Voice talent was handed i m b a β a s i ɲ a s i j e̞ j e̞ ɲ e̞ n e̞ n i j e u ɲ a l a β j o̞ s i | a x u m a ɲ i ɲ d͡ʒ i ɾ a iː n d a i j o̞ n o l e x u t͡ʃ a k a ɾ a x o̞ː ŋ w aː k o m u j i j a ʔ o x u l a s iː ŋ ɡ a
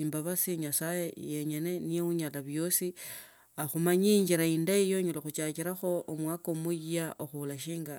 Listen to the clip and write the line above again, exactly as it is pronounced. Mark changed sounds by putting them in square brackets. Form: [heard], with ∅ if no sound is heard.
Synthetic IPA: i m b a β a s i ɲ a s [a] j e̞ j e̞ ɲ e̞ n e̞ n i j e u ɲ a l a β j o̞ s i | a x u m a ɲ i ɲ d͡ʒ i ɾ a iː n d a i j o̞ [ɲ] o l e x u t͡ʃ a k [i] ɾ a x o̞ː [m] w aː k o m u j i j a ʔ o x u l a [ʃ] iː ŋ ɡ a